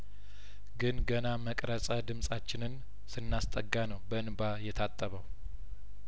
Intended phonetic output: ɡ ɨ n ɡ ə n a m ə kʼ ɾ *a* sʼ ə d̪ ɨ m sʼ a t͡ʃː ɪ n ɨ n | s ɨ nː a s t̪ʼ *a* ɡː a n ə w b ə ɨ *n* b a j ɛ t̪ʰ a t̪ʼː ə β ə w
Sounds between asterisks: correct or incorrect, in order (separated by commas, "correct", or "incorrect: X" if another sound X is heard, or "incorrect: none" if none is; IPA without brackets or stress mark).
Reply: incorrect: ə, incorrect: ə, correct